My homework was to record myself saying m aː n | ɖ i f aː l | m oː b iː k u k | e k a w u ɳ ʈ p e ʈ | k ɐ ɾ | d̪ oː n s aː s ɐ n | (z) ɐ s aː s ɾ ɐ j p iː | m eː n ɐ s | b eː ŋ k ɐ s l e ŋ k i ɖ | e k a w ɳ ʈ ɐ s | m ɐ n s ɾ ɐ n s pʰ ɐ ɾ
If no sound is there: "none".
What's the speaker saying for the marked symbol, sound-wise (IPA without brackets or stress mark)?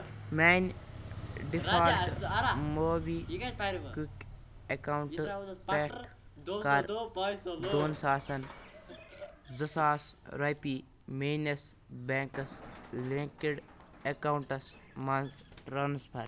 z